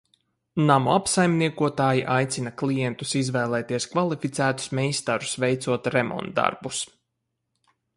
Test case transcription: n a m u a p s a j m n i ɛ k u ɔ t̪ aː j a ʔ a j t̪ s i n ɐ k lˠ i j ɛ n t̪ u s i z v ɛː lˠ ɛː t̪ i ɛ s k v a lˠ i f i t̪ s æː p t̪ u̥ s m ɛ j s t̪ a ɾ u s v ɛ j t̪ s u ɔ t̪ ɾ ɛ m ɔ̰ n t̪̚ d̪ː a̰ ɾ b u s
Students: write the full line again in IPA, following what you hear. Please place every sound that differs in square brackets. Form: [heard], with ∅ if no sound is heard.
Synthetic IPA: n a m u a p s a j m n i ɛ k u ɔ t̪ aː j [i] ʔ a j t̪ s i n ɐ k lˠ i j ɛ n t̪ u s i z v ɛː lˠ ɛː t̪ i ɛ s k v a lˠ i f i t̪ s æː [∅] t̪ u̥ s m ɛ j s t̪ a ɾ u s v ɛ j t̪ s u ɔ t̪ ɾ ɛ m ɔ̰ n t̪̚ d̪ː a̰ ɾ b u s